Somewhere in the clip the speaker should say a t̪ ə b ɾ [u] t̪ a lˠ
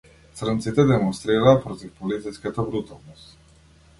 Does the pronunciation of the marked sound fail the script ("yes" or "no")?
no